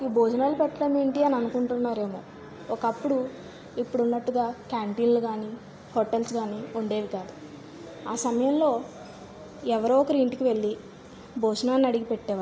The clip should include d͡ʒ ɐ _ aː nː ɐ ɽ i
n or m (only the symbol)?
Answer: n